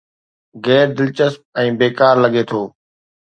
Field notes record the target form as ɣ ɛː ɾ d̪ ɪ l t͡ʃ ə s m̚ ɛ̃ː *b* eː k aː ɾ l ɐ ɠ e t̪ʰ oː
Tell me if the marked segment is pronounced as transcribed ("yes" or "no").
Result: yes